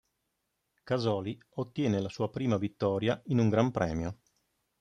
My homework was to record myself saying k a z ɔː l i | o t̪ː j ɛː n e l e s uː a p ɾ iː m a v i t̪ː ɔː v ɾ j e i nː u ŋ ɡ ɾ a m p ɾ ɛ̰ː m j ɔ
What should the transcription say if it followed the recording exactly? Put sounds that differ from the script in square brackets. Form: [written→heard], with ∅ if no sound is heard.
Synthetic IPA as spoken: k a z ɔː l i | o t̪ː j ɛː n e l [e→a] s uː a p ɾ iː m a v i t̪ː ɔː [v→∅] ɾ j [e→a] i [nː→n] u ŋ ɡ ɾ a m p ɾ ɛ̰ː m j [ɔ→o]